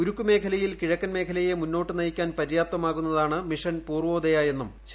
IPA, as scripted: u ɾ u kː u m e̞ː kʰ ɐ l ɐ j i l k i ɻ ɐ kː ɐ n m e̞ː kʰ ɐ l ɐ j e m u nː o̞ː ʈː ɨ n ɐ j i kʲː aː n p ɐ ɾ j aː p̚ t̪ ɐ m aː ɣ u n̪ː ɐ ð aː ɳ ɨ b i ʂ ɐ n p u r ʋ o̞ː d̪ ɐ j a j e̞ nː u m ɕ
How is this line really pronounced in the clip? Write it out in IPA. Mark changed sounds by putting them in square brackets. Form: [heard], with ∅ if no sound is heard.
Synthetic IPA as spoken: u ɾ u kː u m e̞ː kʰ ɐ l ɐ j i l k i ɻ ɐ kː ɐ n m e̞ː kʰ ɐ l ɐ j e m u nː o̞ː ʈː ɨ n ɐ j i kʲː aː n p ɐ ɾ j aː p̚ t̪ ɐ m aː ɣ u n̪ː ɐ ð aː ɳ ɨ [m] i ʂ ɐ n p [uː] r ʋ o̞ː d̪ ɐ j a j e̞ nː u m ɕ